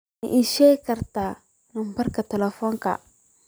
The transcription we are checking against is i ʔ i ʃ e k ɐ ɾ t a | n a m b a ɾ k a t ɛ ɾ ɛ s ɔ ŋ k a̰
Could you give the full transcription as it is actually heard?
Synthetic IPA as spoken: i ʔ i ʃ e k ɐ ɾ t a | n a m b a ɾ k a t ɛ l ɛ f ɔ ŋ k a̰